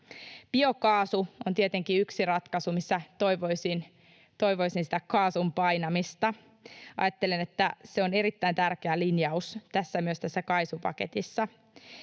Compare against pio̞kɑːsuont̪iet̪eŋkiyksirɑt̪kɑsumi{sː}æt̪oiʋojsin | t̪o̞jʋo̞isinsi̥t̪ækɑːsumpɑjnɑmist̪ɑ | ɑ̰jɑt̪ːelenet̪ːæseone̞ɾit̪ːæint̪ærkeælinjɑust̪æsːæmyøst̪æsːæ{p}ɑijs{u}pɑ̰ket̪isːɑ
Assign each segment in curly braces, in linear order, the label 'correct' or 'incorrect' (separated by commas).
correct, incorrect, correct